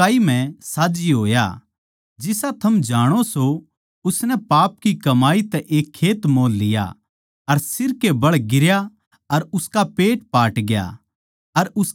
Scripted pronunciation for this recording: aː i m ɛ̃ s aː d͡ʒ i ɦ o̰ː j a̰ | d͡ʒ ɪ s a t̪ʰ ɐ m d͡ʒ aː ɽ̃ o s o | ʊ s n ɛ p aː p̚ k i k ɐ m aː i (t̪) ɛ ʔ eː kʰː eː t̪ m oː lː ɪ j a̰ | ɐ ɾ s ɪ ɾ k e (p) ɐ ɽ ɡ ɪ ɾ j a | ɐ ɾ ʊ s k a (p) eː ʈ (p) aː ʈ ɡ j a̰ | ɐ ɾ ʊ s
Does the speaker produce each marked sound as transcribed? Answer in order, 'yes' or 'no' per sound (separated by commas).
yes, no, yes, yes